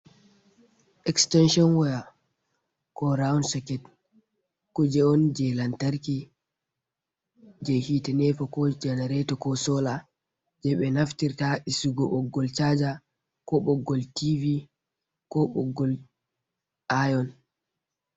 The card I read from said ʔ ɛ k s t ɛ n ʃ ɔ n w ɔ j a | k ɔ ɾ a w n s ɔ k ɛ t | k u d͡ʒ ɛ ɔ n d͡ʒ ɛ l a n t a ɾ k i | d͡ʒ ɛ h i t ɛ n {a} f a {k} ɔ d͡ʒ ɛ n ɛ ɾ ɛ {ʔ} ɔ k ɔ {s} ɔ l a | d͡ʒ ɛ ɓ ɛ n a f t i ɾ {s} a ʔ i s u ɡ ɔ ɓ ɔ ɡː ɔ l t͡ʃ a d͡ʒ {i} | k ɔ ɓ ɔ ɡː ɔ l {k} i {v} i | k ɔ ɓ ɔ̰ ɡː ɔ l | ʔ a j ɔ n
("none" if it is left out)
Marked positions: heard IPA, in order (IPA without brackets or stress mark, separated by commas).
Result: ɛ, k, t, s, t, a, t, v